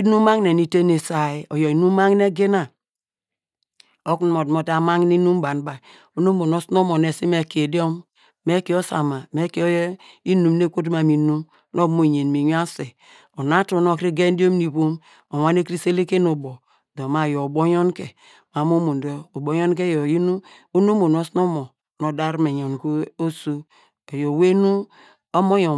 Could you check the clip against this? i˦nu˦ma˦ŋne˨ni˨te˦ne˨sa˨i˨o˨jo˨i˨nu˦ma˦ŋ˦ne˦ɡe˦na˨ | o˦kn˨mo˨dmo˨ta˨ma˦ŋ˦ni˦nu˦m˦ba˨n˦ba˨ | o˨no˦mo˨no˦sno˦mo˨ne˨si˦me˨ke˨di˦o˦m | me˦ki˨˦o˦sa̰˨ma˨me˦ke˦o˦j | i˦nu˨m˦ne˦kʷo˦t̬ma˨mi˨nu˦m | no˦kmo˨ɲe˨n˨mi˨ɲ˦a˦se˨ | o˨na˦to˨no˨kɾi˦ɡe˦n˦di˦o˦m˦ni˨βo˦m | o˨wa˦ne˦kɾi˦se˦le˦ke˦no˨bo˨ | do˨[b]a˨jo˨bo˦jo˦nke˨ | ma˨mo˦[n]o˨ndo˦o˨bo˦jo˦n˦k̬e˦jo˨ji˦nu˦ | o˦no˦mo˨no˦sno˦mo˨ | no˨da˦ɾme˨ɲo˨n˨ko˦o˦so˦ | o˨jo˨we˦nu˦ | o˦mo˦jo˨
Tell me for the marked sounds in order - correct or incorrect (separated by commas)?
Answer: incorrect, incorrect